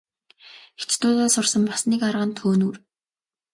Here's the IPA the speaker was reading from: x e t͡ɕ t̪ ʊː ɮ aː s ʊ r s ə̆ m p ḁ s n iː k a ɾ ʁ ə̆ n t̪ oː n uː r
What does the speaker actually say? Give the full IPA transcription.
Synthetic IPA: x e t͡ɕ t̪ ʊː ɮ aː s ʊ r s ə̆ m p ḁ s n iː k a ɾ ʁ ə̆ n t̪ʰ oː n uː r